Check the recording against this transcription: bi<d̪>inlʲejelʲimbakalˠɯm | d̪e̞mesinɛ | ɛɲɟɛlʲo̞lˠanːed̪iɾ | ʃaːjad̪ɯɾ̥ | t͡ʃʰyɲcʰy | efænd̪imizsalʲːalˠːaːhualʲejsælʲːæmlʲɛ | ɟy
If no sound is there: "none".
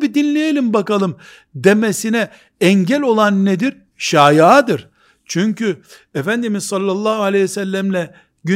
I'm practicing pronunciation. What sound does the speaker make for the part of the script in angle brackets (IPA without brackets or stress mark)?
d̪